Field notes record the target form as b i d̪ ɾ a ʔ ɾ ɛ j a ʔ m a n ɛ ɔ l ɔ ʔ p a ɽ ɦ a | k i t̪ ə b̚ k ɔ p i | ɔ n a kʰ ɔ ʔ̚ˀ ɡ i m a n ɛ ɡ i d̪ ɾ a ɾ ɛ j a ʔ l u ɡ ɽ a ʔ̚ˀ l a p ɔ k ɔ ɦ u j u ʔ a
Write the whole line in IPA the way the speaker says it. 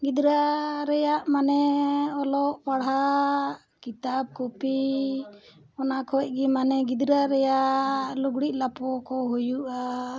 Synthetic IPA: ɡ i d̪ ɾ a ɾ ɛ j a ʔ m a n ɛ ɔ l ɔ ʔ p a ɽ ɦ a | k i t̪ a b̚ k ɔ p i | ɔ n a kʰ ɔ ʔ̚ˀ ɡ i m a n ɛ ɡ i d̪ ɾ a ɾ ɛ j a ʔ l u ɡ ɽ i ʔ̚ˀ l a p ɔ k ɔ ɦ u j u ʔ a